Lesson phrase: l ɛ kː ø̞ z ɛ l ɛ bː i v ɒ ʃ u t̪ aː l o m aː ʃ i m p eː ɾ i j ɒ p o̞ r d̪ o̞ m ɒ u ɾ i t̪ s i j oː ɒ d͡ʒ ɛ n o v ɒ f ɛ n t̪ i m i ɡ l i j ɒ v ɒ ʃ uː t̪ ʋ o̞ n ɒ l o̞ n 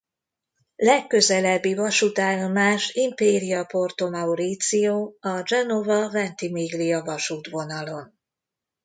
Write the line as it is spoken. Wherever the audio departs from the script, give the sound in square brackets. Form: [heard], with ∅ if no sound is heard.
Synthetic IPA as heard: l ɛ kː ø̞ z ɛ l ɛ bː i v ɒ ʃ u t̪ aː l o m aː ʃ i m p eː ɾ i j ɒ p o̞ r [t̪] o̞ m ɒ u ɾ i t̪ s i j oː ɒ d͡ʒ ɛ n o v ɒ [v] ɛ n t̪ i m i ɡ l i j ɒ v ɒ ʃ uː t̪ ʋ o̞ n ɒ l o̞ n